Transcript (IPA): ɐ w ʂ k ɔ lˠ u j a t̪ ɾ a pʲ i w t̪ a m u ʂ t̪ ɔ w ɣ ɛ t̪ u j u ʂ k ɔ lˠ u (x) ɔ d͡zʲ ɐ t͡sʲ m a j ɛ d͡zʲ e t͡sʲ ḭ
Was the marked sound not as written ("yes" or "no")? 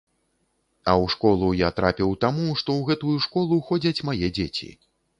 no